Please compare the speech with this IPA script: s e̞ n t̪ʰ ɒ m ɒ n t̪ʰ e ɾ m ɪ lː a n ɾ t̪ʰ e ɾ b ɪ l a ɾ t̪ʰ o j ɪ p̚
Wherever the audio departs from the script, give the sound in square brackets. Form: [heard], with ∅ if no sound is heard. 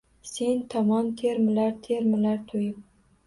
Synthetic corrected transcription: s e̞ n t̪ʰ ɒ m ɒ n t̪ʰ e ɾ m ɪ [l] a [∅] ɾ t̪ʰ e ɾ [m] ɪ l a ɾ t̪ʰ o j ɪ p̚